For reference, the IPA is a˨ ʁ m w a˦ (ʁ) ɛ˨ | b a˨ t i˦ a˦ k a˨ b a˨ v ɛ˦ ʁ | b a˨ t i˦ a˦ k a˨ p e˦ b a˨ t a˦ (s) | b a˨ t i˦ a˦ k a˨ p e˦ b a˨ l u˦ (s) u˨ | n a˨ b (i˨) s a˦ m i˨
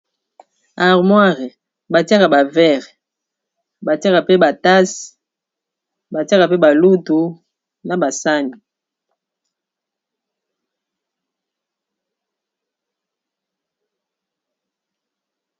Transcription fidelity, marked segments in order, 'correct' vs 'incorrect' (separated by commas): correct, correct, incorrect, incorrect